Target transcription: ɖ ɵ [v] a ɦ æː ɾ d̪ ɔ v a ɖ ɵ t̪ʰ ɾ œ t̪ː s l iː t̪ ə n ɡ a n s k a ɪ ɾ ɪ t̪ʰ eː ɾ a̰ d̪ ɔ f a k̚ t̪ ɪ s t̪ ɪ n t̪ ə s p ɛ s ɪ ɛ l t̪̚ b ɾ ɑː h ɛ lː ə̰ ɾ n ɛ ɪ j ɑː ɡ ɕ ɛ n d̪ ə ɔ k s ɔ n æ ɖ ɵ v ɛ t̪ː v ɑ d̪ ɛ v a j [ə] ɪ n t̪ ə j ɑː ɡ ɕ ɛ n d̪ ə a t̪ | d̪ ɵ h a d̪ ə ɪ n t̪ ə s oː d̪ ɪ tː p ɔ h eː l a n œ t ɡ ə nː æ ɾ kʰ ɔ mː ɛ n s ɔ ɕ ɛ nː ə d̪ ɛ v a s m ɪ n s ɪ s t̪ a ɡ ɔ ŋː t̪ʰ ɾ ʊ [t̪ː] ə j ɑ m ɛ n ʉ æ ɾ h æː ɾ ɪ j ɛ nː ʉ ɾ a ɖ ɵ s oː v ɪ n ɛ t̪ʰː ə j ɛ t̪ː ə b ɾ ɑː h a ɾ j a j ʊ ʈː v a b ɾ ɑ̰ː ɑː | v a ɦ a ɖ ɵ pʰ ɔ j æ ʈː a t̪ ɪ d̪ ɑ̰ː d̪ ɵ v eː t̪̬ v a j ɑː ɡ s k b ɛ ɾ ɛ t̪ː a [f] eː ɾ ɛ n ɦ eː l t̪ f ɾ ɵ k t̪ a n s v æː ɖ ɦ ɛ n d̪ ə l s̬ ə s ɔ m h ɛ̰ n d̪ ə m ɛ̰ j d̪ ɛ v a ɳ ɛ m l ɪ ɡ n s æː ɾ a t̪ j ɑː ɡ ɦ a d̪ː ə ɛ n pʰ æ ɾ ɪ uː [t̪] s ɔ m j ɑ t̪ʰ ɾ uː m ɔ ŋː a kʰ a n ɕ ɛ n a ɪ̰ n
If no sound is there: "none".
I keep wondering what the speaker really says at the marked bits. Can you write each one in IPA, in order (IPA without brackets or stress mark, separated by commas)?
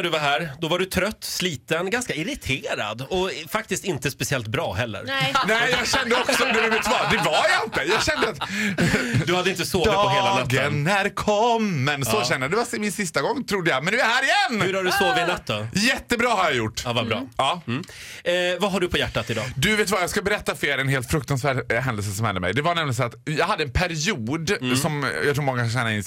v, a, d̪ː, f, d̪